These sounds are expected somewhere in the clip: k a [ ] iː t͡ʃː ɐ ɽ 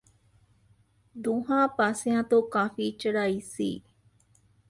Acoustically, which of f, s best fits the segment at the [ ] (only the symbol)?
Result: f